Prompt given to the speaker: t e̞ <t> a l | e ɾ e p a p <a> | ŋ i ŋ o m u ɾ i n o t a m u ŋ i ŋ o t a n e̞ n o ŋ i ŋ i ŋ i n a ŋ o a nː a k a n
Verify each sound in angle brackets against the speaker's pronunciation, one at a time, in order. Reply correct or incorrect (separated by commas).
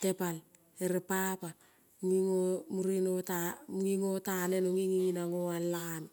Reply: incorrect, correct